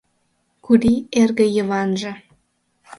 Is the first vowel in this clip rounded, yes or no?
yes